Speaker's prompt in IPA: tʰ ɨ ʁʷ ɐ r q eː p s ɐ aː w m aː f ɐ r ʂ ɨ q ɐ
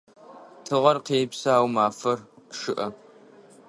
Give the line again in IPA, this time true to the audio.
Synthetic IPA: tʰ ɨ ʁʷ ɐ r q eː p s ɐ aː w m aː f ɐ r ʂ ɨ ʔ ɐ